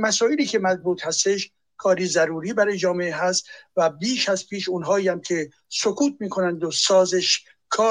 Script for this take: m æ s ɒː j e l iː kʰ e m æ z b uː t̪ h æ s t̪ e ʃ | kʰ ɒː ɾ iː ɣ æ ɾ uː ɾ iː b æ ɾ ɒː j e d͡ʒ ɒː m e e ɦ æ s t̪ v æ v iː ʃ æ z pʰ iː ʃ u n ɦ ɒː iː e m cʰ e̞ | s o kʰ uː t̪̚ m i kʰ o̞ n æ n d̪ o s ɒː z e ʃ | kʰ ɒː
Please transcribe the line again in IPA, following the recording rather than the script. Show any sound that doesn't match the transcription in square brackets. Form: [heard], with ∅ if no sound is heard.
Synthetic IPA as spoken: m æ s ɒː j e l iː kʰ e m æ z b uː t̪ h æ s t̪ e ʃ | kʰ ɒː ɾ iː [z] æ ɾ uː ɾ iː b æ ɾ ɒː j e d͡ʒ ɒː m e e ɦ æ s t̪ v æ [b] iː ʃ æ z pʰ iː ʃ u n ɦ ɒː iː [æ] m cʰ e̞ | s o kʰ uː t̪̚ m [iː] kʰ o̞ n æ n d̪ o s ɒː z e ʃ | kʰ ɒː